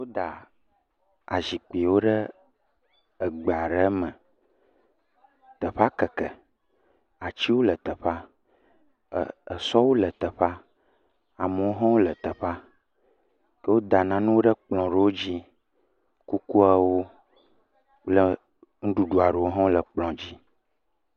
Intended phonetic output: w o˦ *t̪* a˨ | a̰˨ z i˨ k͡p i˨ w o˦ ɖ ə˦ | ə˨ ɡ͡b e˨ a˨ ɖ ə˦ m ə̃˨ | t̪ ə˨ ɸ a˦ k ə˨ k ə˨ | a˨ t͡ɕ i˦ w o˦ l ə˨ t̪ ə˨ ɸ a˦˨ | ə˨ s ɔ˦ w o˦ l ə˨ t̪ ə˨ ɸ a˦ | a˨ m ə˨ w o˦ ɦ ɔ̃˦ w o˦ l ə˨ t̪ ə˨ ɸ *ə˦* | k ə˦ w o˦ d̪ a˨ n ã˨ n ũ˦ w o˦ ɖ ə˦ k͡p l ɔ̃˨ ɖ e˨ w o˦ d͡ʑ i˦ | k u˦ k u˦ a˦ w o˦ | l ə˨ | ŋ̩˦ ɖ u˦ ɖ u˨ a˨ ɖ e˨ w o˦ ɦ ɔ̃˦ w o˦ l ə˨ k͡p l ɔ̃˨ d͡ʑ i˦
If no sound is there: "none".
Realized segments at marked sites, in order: d̪, a˦

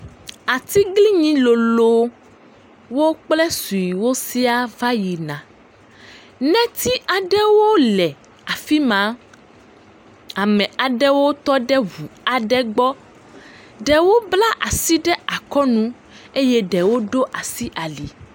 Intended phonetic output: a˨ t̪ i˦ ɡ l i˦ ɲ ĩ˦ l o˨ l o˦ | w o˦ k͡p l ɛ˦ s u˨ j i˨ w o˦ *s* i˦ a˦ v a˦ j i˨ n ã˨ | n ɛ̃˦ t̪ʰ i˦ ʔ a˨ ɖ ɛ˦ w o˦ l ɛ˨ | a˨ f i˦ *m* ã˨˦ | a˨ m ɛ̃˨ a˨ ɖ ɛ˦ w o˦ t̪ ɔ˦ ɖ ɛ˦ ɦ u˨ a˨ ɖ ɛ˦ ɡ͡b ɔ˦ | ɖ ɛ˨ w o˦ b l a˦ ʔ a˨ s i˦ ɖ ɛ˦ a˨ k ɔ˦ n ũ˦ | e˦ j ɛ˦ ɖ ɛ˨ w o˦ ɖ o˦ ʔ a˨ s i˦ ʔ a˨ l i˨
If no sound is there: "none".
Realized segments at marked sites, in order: s, m

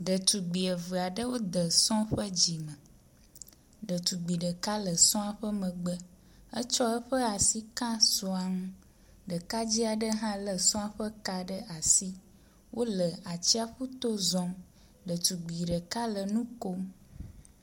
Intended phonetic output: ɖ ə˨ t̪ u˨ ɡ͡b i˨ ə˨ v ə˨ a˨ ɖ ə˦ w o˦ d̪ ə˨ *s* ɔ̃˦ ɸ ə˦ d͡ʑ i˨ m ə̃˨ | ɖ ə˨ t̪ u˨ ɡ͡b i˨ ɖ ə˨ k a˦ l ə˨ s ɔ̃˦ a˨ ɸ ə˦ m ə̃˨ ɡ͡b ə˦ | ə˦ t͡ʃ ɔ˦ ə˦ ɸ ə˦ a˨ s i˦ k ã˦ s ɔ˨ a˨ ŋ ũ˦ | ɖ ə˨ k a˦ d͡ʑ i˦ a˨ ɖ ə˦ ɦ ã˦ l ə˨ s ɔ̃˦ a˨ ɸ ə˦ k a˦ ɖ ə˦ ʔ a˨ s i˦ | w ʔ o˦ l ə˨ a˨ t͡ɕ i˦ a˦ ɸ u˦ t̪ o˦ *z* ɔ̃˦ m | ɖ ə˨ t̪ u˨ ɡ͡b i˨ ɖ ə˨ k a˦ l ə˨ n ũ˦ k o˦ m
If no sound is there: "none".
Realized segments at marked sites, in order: s, z

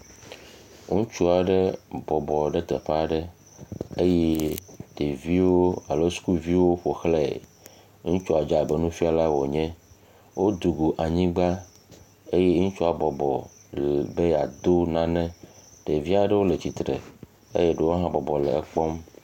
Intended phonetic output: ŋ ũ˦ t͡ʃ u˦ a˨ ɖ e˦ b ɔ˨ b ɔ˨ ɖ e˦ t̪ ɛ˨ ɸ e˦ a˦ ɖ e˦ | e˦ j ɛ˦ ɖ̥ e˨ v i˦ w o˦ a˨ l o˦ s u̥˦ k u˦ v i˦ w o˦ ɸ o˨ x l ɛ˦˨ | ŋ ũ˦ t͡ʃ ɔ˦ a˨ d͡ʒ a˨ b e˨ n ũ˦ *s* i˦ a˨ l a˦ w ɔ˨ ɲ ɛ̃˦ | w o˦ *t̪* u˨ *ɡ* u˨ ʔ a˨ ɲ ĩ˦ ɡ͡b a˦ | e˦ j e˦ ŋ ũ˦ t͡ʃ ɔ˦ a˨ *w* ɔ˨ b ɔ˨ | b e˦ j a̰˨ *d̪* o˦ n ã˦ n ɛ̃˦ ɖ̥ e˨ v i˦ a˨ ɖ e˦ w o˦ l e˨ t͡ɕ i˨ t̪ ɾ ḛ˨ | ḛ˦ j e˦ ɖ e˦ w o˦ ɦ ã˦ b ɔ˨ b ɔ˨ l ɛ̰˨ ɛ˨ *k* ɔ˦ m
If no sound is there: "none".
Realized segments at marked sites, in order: f, d̪, ɡ, b, d̪, k͡p

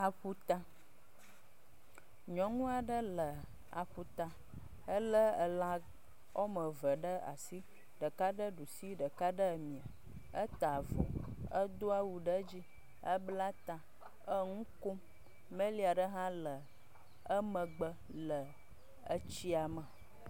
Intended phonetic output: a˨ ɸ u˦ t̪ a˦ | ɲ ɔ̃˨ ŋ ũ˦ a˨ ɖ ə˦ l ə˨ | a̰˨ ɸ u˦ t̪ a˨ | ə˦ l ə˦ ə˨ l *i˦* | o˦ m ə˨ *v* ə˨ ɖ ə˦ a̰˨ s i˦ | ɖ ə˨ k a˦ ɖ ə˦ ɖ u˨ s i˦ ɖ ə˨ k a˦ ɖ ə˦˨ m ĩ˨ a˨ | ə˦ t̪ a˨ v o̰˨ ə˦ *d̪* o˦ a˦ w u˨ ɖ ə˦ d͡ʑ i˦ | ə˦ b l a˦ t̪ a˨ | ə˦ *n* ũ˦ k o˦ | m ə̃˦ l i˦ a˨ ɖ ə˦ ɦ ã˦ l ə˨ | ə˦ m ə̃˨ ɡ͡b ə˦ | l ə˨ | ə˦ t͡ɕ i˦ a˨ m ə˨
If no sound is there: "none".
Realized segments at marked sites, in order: a˦, v, d̪, ŋ

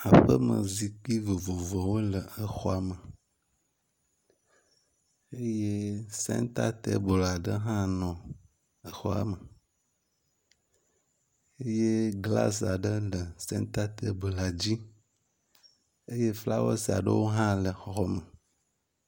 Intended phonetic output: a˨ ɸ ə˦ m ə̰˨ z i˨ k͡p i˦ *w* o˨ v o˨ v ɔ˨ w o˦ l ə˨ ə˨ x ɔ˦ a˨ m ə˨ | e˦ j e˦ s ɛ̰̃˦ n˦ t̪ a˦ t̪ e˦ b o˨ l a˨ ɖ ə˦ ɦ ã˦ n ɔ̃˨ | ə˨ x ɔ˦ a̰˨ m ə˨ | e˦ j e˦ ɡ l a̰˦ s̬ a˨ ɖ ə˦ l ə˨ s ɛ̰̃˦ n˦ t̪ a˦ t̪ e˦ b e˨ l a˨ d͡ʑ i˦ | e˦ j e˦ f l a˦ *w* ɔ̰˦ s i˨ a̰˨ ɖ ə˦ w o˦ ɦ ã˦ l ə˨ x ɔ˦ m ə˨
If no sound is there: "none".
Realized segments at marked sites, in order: v, w

